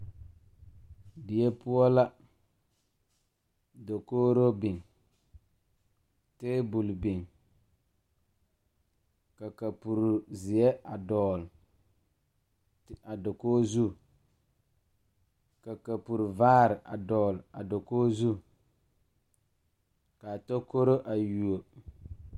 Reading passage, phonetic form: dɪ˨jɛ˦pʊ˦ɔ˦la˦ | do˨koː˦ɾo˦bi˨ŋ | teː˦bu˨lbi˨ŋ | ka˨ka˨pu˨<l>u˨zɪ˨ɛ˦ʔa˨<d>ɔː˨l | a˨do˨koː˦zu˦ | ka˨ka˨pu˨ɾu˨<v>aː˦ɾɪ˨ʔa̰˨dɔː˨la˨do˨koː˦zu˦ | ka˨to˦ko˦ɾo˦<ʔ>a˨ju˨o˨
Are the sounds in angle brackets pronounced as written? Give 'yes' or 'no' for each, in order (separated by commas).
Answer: no, yes, yes, yes